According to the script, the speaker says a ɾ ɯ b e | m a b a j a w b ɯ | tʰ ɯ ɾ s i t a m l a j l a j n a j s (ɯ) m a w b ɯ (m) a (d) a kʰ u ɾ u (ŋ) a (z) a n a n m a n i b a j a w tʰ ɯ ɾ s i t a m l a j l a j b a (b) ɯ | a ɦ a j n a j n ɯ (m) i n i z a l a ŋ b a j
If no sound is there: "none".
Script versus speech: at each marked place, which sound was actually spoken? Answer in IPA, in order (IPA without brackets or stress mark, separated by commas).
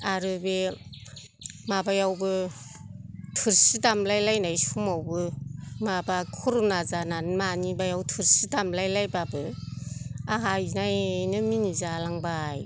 u, m, b, n, z, b, m